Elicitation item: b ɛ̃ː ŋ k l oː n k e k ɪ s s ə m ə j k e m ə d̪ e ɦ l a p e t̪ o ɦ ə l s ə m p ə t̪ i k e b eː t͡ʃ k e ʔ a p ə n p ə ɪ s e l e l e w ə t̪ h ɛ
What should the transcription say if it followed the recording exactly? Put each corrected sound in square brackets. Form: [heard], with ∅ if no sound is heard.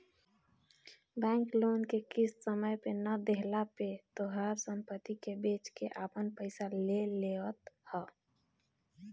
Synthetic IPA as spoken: b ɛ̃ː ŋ k l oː n k e k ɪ s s ə m ə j [p] e [n] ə d̪ e ɦ l a p e t̪ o ɦ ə [ɾ] s ə m p ə t̪ i k e b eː t͡ʃ k e ʔ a p ə n p ə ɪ s [a] l e l e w ə t̪ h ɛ